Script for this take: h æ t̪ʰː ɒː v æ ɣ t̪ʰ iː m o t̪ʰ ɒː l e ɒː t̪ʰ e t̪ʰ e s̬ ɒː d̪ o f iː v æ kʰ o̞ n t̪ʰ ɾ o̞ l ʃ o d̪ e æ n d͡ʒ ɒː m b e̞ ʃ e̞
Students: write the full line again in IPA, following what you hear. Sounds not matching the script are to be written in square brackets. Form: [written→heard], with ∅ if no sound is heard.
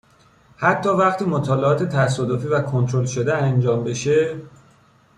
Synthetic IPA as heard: h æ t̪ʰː ɒː v æ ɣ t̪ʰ iː m o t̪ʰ ɒː l e ɒː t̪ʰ e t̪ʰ [e→æ] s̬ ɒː d̪ o f iː v æ kʰ o̞ n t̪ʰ ɾ o̞ l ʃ o d̪ e æ n d͡ʒ ɒː m b e̞ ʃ e̞